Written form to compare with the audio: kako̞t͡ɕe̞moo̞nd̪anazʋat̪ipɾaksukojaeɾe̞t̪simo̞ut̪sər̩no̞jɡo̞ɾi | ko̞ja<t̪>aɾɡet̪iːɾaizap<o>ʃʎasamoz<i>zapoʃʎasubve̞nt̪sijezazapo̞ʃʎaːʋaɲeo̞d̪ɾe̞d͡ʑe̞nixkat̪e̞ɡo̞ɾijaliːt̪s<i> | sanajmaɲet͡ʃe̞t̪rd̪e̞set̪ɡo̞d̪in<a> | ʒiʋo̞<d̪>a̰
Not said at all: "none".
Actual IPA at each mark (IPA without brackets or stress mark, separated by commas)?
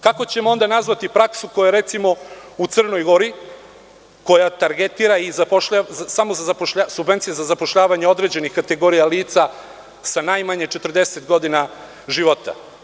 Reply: t̪, o, a, a, a, t̪